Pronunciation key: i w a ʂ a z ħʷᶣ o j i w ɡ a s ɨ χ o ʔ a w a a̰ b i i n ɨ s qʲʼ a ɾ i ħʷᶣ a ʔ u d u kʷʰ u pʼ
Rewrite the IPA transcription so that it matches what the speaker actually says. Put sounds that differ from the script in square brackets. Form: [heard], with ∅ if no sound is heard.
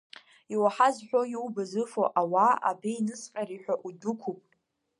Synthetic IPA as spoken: i w a [ħ] a z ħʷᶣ o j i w [b] a [z] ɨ [f] o ʔ a w a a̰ b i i n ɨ s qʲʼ a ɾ i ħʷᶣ a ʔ u d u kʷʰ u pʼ